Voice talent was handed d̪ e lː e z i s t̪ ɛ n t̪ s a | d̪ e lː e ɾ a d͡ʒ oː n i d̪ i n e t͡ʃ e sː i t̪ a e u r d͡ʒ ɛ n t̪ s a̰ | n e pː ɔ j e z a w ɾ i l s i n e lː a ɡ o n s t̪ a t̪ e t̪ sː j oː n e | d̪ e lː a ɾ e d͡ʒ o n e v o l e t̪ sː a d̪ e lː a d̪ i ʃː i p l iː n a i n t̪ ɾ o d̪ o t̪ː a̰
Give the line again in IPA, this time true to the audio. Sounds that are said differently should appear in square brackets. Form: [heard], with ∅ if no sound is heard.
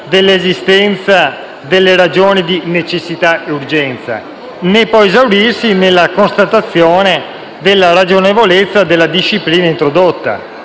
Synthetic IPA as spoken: d̪ e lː e z i s t̪ ɛ n t̪ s a | d̪ e lː e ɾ a d͡ʒ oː n i d̪ i n e t͡ʃ e sː i t̪ a e u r d͡ʒ ɛ n t̪ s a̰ | n e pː ɔ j e z a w ɾ i [r] s i n e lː a [k] o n s t̪ a t̪ [a] t̪ sː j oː n e | d̪ e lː a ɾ [a] d͡ʒ o n e v o l e t̪ sː a d̪ e lː a d̪ i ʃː i p l iː n a i n t̪ ɾ o d̪ o t̪ː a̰